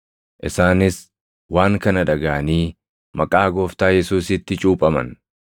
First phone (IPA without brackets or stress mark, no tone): ʔ